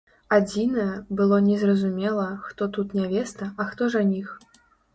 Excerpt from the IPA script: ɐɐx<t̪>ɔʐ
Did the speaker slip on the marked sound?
no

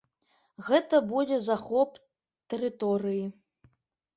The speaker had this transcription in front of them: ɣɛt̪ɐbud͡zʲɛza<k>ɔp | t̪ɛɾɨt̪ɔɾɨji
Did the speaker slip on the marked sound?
yes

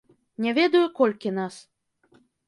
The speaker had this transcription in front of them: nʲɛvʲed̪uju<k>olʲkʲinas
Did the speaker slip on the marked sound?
no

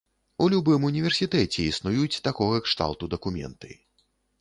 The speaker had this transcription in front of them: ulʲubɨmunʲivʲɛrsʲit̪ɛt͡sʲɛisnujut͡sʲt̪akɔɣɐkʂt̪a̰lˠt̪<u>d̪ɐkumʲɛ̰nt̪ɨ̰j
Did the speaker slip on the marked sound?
no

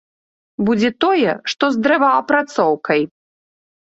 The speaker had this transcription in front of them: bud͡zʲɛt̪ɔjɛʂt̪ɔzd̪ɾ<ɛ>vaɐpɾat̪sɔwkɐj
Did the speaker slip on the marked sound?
no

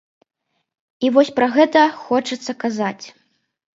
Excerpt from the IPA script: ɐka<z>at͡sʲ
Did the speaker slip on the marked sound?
no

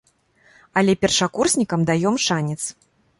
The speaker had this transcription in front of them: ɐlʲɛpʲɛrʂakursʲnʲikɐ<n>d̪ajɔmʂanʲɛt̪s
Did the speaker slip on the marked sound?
yes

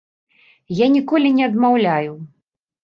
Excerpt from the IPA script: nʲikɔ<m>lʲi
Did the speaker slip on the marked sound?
yes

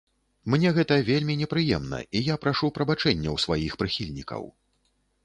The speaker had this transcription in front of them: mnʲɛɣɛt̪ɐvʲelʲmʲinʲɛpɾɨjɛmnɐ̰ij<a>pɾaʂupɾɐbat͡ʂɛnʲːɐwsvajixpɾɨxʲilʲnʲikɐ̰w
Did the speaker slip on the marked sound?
no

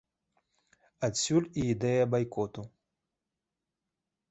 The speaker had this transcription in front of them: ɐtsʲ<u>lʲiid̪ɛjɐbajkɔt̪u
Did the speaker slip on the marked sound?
no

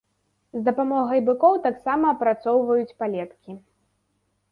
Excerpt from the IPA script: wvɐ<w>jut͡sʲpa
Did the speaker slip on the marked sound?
yes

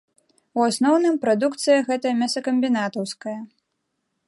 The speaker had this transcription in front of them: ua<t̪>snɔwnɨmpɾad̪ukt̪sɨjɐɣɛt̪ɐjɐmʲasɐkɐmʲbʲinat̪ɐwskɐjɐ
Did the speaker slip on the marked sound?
yes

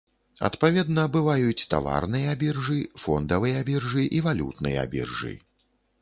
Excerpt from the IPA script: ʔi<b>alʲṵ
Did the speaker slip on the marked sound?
yes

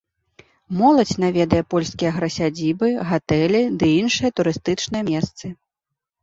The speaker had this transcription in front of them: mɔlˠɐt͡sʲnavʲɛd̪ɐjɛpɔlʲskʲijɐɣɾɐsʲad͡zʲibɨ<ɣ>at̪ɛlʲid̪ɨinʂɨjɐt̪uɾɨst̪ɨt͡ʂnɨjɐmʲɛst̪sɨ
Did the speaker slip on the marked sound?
no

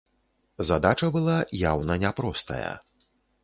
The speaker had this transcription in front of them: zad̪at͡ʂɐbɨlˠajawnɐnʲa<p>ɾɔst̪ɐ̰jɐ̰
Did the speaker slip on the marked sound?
no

